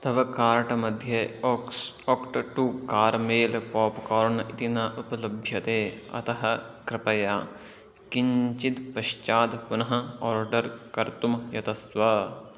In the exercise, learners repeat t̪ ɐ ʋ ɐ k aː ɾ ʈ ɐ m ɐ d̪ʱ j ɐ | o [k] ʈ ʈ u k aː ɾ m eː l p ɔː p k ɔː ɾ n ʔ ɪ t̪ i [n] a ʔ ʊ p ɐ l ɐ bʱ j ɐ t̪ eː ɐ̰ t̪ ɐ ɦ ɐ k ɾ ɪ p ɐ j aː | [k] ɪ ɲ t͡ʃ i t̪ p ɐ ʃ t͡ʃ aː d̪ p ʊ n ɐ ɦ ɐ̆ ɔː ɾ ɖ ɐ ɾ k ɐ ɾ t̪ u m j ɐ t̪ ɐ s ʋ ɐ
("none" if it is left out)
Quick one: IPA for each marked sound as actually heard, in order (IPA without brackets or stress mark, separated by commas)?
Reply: k, n, k